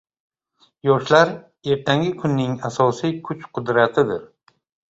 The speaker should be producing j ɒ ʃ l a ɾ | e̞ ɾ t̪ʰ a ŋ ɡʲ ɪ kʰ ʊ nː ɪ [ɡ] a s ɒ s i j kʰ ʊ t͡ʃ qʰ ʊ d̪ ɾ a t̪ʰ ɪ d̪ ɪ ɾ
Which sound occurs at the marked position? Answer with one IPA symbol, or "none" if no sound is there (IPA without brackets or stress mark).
ŋ